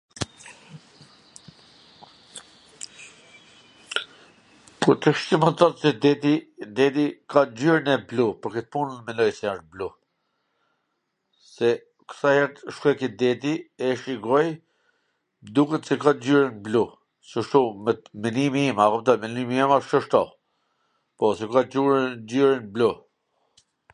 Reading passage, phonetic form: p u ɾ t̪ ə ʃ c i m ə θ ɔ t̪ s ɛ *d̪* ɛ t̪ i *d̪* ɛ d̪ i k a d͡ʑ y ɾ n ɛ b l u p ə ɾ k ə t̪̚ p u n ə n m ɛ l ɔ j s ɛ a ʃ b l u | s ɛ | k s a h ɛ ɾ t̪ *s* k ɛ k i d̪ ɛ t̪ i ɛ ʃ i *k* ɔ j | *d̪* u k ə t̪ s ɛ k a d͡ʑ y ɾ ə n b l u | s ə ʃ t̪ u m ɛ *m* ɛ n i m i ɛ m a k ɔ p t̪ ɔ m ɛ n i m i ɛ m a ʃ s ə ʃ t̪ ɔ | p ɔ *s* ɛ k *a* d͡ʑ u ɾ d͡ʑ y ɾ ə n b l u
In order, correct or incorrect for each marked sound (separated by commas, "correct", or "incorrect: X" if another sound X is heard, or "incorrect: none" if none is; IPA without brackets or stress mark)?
correct, correct, incorrect: ʃ, incorrect: ɡ, correct, correct, correct, correct